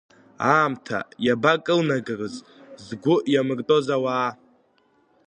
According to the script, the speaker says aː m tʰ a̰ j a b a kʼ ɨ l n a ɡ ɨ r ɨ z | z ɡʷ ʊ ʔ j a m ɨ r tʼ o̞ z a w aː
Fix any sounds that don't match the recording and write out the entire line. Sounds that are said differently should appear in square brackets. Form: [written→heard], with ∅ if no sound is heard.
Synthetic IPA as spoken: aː m tʰ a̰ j a b a kʼ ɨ l n a ɡ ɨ r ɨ z | z ɡʷ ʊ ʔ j a m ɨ r tʼ o̞ z a w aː